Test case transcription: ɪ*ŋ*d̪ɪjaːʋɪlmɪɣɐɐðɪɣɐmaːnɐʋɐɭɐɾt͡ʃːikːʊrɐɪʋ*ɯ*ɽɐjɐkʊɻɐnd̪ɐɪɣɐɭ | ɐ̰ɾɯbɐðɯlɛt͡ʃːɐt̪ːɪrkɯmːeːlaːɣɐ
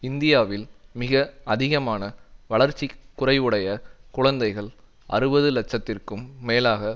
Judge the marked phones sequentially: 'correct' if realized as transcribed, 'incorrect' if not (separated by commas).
incorrect, correct